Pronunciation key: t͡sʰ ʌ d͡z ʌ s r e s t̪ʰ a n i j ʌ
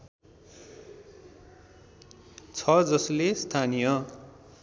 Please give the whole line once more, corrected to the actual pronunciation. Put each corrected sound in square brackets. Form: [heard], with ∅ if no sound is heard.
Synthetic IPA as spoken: t͡sʰ ʌ d͡z ʌ s [l] e s t̪ʰ a n i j ʌ